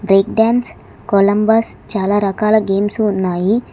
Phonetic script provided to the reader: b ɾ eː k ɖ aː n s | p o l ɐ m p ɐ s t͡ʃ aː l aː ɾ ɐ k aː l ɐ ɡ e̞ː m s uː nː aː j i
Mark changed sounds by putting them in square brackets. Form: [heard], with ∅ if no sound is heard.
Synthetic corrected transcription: b ɾ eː k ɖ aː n s | [k] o l ɐ m [b] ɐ s t͡ʃ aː l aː ɾ ɐ k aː l ɐ ɡ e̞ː m s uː nː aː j i